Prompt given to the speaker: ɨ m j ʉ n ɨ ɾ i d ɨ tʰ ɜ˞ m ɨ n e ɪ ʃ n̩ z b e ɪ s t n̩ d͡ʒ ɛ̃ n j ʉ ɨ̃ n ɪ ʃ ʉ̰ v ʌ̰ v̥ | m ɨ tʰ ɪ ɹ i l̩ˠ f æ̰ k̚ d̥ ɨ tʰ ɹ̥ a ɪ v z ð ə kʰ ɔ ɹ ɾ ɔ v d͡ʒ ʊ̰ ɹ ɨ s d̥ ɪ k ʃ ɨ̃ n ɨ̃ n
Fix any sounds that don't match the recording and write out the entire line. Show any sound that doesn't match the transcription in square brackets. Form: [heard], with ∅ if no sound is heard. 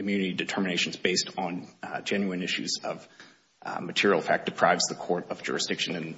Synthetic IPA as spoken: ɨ m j ʉ n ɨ ɾ i d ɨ tʰ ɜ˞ m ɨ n e ɪ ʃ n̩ z b e ɪ s t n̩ d͡ʒ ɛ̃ n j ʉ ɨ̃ n ɪ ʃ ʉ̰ [z] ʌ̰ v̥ | m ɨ tʰ ɪ ɹ i l̩ˠ f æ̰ k̚ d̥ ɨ [pʰ] ɹ̥ a ɪ v z ð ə kʰ ɔ ɹ ɾ [ʌ] v d͡ʒ ʊ̰ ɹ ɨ s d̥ ɪ k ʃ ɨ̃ n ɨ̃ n